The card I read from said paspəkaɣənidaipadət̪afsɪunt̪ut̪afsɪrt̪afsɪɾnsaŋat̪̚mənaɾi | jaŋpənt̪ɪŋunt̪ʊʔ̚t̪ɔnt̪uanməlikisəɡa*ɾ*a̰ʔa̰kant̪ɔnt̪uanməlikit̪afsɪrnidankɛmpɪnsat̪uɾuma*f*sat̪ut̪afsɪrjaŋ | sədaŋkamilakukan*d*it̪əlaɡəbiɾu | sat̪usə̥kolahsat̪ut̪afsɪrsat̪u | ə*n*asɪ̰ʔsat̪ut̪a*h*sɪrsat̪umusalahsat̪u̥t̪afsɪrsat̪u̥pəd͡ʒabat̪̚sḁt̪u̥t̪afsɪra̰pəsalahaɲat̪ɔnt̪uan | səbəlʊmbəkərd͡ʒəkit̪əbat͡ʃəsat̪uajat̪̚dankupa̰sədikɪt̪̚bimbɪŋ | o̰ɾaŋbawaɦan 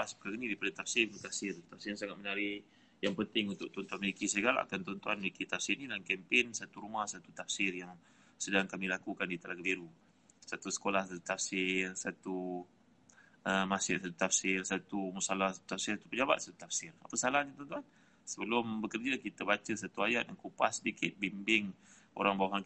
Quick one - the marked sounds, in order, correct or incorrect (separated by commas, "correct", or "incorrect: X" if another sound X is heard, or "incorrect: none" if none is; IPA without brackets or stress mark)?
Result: incorrect: l, incorrect: h, correct, incorrect: m, incorrect: f